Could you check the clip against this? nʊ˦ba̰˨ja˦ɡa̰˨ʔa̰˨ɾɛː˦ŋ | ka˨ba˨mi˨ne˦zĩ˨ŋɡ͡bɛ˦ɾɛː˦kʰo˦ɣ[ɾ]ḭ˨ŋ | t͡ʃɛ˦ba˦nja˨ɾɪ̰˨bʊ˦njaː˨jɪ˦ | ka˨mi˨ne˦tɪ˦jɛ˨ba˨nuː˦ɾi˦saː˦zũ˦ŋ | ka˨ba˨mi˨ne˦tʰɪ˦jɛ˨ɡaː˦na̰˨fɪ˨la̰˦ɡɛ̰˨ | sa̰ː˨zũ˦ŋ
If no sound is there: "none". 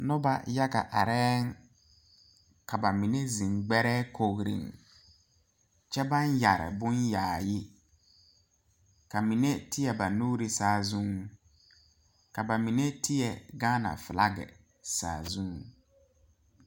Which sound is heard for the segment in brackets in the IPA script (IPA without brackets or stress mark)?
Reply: ɾ